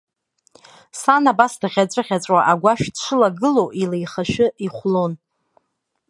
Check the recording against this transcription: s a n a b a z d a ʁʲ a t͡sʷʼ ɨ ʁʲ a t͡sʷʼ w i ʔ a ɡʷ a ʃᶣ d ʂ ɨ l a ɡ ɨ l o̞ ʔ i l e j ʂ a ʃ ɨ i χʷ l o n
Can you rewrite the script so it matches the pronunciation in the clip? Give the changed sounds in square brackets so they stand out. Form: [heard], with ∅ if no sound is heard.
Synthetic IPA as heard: s a n a b a [s] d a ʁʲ a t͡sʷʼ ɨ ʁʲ a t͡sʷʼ w [a] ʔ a ɡʷ a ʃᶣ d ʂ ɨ l a ɡ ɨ l o̞ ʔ i l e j [χ] a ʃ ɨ i χʷ l o n